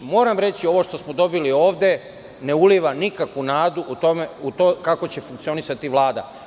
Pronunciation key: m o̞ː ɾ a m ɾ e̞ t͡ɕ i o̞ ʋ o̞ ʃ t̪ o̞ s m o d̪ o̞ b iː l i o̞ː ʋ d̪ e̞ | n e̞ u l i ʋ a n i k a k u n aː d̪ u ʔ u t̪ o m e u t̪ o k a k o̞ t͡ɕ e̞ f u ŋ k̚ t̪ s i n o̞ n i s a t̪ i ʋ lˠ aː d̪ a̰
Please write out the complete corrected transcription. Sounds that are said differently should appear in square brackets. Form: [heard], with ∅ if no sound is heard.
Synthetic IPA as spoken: m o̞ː ɾ a m ɾ e̞ t͡ɕ i o̞ ʋ o̞ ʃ t̪ o̞ s m o d̪ o̞ b [i] l i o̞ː ʋ d̪ e̞ | n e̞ u l i ʋ a n i k a k u n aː d̪ u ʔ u t̪ o m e u t̪ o k a k o̞ t͡ɕ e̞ f u ŋ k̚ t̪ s i [∅] o̞ n i s a t̪ i ʋ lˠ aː d̪ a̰

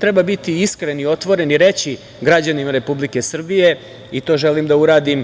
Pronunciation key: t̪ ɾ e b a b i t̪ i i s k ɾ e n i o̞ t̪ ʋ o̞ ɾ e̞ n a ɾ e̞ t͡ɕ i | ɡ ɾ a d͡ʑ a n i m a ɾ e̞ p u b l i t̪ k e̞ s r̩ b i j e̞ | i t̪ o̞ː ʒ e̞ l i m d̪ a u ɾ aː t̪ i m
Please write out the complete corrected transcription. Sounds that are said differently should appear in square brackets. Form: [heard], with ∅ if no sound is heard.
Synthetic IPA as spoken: t̪ ɾ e b a b i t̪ i i s k ɾ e n i o̞ t̪ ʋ o̞ ɾ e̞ n [i] ɾ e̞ t͡ɕ i | ɡ ɾ a d͡ʑ a n i m a ɾ e̞ p u b l i [∅] k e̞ s r̩ b i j e̞ | i t̪ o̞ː ʒ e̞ l i m d̪ a u ɾ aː [d̪] i m

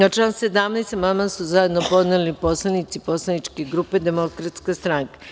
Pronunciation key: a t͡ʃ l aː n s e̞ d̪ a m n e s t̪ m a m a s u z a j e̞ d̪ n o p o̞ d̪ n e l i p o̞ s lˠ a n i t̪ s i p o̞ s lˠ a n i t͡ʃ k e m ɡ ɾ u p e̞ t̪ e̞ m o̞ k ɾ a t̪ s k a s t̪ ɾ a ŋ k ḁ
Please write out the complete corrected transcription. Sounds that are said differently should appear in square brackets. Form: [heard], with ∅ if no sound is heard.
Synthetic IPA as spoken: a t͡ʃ l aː n s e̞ d̪ a m n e s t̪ m a m a s u z a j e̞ d̪ n o p o̞ d̪ n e l i p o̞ s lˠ a n i t̪ s i p o̞ s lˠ a n i t͡ʃ k e [∅] ɡ ɾ u p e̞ [d̪] e̞ m o̞ k ɾ a t̪ s k a s t̪ ɾ a ŋ k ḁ

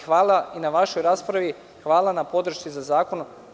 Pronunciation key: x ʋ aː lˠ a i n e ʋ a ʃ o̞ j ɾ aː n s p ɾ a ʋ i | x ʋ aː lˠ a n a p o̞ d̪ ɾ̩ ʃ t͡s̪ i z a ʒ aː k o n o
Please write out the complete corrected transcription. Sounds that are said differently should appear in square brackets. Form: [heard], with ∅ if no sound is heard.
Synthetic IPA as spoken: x ʋ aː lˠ a i n [a] ʋ a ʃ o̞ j ɾ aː [∅] s p ɾ a ʋ i | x ʋ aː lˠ a n a p o̞ d̪ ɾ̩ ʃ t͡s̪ i z a [z] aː k o n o

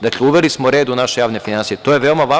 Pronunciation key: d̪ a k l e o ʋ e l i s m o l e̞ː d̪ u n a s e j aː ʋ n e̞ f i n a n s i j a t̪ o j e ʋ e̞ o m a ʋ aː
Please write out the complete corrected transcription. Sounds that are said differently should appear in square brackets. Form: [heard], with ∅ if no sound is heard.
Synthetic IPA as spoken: d̪ a k l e [u] ʋ e l i s m o [ɾ] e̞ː d̪ u n a [ʃ] e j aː ʋ n e̞ f i n a n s i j [e] t̪ o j e ʋ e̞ o m a ʋ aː

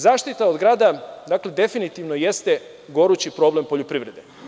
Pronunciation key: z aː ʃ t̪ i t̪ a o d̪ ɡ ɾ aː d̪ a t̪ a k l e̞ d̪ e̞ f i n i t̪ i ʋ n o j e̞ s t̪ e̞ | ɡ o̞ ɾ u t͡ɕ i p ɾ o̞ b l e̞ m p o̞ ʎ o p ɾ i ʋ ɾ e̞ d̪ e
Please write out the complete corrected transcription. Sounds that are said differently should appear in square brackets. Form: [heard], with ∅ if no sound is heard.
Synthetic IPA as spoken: z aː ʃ t̪ i t̪ a o d̪ ɡ ɾ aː d̪ a [d̪] a k l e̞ d̪ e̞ f i n i t̪ i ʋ n o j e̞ s t̪ e̞ | ɡ o̞ ɾ u t͡ɕ i p ɾ o̞ b l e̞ m p o̞ ʎ o p ɾ i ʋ ɾ e̞ d̪ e

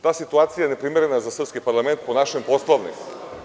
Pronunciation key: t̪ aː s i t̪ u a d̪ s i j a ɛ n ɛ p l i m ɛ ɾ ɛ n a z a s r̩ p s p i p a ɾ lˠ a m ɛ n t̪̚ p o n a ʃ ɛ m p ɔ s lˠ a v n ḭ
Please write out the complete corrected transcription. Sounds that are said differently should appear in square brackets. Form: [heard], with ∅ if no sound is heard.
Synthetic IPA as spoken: t̪ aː s i t̪ u a [t̪] s i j a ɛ n ɛ p [ɾ] i m ɛ ɾ ɛ n a z a s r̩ p s [k] i p a ɾ lˠ a m ɛ n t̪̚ p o n a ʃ ɛ m p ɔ s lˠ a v n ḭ

